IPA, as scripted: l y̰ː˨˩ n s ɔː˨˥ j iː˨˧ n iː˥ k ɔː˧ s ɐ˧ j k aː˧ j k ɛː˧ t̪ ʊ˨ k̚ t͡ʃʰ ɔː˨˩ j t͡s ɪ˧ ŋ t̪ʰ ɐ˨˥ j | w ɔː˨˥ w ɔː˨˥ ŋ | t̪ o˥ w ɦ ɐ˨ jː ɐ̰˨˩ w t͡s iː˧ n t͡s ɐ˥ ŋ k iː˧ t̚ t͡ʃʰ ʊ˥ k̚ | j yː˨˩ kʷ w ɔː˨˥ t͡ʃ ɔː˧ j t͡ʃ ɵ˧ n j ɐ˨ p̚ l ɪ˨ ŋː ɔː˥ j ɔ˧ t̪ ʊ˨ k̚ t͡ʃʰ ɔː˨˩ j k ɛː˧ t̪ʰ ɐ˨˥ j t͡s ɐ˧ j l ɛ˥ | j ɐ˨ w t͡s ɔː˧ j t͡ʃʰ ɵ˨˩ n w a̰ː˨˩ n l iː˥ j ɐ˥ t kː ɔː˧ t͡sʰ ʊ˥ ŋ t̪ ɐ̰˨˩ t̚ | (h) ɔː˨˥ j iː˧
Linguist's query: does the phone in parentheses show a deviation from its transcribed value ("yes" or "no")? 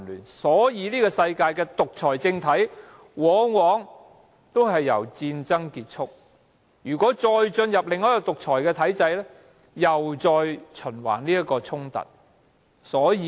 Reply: yes